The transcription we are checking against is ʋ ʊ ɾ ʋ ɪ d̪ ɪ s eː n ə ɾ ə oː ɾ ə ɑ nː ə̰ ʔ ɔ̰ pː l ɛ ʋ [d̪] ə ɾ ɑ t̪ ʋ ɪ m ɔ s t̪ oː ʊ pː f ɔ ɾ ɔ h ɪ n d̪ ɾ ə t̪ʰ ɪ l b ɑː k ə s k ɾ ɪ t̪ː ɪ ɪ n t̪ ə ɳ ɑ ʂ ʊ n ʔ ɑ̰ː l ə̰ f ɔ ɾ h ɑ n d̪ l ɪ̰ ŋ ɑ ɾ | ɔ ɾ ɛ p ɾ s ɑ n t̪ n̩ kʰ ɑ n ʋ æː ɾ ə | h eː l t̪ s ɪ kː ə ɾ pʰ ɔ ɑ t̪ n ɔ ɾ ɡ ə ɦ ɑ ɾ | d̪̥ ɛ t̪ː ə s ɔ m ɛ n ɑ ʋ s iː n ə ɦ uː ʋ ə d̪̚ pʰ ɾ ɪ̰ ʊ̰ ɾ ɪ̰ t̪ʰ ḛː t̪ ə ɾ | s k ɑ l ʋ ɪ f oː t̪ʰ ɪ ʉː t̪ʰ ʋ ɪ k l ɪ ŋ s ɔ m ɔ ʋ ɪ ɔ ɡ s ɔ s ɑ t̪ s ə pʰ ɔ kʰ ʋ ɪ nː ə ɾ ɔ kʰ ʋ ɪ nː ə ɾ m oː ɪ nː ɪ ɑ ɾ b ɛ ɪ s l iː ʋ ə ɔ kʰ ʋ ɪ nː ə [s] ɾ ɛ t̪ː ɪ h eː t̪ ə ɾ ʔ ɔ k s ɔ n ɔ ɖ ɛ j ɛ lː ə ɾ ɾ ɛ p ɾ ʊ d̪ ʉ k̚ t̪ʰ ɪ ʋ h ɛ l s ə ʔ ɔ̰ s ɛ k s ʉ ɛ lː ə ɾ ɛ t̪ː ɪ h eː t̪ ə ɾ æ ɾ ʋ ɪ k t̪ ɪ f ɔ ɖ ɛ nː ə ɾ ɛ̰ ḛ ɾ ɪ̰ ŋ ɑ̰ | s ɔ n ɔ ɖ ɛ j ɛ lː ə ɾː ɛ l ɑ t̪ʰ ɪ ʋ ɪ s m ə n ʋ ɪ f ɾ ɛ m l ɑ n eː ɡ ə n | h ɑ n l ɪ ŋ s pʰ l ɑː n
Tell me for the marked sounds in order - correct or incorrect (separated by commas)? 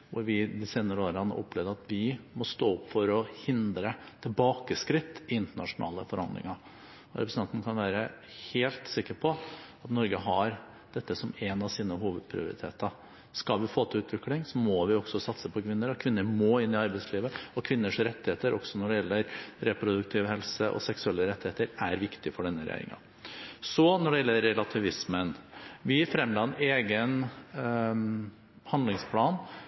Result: correct, incorrect